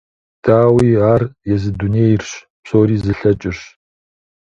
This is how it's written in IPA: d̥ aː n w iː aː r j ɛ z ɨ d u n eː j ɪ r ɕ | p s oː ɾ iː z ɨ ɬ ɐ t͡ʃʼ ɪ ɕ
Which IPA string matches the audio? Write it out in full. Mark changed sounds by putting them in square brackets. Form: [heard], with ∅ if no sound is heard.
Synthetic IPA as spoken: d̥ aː [∅] w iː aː r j ɛ z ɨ d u n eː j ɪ r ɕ | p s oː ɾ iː z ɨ ɬ ɐ t͡ʃʼ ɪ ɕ